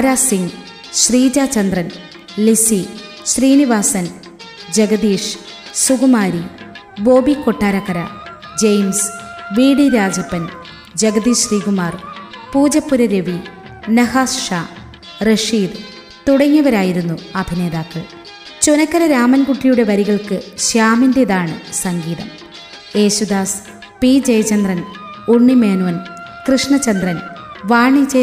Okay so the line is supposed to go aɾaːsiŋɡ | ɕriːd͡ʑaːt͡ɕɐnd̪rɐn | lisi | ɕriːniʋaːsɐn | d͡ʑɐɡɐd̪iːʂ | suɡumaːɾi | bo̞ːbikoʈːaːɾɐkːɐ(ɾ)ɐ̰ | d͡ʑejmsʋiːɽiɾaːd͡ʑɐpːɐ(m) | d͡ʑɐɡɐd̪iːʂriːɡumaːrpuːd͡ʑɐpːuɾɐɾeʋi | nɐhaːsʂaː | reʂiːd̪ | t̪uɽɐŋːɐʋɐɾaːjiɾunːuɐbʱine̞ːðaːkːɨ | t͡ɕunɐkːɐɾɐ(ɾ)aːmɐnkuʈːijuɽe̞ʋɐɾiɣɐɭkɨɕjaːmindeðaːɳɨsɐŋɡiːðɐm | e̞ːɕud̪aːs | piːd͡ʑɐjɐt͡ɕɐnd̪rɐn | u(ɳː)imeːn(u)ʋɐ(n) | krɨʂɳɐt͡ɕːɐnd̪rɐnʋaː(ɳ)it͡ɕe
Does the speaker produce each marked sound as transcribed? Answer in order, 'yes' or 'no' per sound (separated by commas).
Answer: yes, no, yes, yes, yes, yes, yes